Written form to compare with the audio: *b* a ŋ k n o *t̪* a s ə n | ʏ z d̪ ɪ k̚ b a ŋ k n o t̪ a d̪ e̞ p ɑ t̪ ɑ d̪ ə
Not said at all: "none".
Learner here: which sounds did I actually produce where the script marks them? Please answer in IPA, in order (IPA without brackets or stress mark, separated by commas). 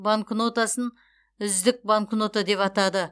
b, t̪